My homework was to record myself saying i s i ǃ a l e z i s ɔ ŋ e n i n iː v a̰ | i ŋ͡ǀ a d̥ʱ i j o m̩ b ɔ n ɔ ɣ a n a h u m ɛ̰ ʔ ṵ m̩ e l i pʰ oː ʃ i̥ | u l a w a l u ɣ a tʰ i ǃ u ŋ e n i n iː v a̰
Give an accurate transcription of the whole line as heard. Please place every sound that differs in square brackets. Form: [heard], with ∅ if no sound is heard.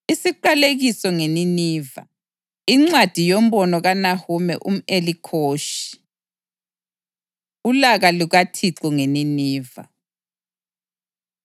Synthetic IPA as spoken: i s i ǃ a l e [ɣ] i s ɔ ŋ e n i n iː v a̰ | i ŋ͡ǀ a d̥ʱ i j o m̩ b ɔ n ɔ ɣ a n a h u m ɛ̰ ʔ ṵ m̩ e l i [kʰ] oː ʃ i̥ | u l a [ɣ] a l u ɣ a tʰ i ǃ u ŋ e n i n iː v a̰